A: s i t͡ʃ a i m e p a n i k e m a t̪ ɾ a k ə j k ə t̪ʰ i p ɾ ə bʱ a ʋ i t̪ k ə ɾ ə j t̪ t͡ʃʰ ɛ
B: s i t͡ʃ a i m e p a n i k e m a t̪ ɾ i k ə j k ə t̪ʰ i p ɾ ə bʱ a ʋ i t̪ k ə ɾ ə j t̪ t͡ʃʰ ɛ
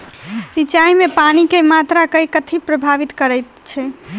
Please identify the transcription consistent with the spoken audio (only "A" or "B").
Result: A